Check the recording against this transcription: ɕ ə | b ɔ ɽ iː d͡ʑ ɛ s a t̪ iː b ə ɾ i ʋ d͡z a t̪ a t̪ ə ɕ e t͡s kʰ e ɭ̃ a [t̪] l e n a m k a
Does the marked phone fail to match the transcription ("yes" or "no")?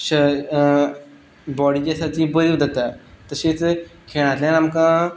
no